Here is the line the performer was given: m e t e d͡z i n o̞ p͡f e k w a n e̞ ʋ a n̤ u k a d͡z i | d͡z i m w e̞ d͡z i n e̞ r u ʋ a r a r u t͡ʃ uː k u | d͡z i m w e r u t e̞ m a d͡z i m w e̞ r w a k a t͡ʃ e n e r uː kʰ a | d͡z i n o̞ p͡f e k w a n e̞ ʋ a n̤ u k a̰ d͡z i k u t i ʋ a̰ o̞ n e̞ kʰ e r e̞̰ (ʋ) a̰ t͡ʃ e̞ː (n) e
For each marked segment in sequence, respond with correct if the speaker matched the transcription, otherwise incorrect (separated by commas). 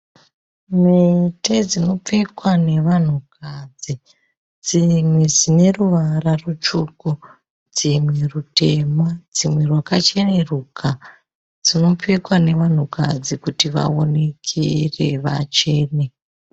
correct, correct